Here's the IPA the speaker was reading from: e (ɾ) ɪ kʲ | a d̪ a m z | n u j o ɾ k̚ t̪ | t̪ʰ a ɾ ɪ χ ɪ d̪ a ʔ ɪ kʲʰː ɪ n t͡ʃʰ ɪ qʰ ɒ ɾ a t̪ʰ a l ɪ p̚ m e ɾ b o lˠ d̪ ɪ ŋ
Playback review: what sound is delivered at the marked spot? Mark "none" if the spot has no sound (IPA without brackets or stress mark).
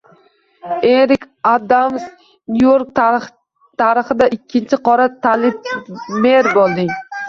ɾ